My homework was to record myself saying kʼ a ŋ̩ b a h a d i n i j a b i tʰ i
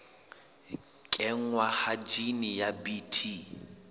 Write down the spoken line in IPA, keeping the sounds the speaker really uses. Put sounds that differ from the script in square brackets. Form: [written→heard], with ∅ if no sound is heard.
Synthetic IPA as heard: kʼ [a→ɛ] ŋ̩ [b→w] a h a [d→d͡ʒ] i n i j a b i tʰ i